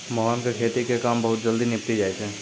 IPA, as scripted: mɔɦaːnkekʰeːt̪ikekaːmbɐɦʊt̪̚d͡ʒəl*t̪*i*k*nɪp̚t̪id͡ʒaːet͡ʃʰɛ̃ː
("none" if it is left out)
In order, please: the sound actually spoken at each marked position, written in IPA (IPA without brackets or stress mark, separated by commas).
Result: d̪, none